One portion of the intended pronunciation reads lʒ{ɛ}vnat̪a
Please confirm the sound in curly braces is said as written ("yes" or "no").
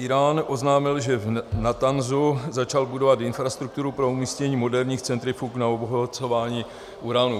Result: yes